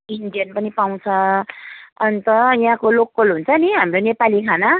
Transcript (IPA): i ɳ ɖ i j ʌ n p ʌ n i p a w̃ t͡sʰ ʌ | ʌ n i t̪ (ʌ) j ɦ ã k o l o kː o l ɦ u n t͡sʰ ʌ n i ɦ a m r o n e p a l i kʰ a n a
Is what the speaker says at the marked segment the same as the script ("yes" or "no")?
yes